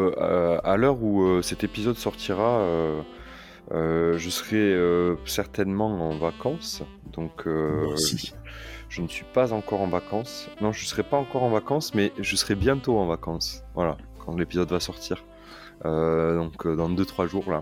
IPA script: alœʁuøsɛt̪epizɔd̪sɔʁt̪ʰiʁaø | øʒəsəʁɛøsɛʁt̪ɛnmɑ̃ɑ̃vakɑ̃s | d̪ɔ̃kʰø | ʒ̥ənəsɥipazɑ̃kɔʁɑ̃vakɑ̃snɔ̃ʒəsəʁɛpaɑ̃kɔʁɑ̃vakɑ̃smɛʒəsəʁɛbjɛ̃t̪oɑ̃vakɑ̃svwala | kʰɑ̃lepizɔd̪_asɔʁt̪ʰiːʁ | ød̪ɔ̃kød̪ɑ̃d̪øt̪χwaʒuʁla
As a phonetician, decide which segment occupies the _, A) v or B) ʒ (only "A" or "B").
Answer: A